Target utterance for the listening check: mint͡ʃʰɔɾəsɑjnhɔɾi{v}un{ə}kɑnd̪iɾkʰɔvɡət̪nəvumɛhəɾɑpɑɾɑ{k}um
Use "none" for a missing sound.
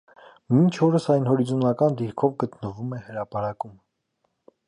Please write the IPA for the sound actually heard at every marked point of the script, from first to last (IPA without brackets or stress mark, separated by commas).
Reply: z, ɑ, k